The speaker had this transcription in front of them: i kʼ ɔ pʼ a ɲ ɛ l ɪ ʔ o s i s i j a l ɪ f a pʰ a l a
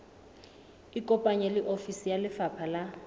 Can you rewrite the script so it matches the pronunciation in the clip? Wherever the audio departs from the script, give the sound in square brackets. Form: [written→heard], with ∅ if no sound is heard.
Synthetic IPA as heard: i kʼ ɔ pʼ a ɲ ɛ l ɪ ʔ o [s→f] i s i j a l ɪ f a pʰ a l a